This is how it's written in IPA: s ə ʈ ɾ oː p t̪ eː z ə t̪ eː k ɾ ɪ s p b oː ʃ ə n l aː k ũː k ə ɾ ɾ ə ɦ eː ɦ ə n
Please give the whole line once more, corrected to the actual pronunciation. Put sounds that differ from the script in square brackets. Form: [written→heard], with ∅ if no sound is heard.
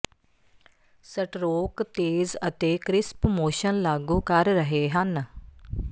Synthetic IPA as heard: s ə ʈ ɾ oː [p→k] t̪ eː z ə t̪ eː k ɾ ɪ s p [b→m] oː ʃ ə n l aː [k→ɡ] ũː k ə ɾ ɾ ə ɦ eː ɦ ə n